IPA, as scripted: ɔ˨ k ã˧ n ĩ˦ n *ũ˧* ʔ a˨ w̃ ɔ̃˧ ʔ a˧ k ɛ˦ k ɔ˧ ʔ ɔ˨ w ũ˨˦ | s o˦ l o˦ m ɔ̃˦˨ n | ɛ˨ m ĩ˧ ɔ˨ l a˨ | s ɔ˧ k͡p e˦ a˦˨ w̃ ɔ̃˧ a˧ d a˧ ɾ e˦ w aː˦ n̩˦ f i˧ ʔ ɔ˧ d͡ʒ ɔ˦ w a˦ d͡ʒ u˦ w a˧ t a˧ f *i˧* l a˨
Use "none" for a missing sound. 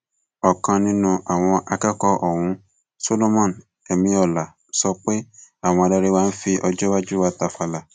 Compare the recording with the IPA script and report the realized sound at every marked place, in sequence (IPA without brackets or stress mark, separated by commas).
ũ˧, a˧